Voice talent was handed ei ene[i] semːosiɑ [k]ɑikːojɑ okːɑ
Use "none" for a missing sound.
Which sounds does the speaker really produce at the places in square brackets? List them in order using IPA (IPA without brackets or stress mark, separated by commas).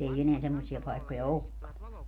æ, p